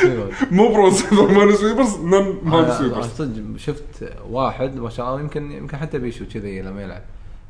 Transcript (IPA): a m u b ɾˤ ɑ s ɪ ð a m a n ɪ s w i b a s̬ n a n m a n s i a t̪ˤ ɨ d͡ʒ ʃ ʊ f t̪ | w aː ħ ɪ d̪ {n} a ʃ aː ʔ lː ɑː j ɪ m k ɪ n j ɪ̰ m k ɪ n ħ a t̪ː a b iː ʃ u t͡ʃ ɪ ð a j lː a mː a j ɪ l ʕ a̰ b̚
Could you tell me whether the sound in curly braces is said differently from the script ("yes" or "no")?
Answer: yes